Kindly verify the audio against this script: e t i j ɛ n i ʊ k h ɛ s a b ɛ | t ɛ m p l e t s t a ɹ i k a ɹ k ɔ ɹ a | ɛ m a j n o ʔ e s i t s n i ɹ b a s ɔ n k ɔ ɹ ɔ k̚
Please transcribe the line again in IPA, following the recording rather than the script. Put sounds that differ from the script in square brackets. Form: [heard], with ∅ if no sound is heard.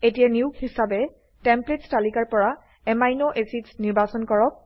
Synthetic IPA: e t i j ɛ n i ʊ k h [i] s a b ɛ | t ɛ m p l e t s t a [l] i k a ɹ [p] ɔ ɹ a | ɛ m a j n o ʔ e s i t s n i ɹ b a s ɔ n k ɔ ɹ ɔ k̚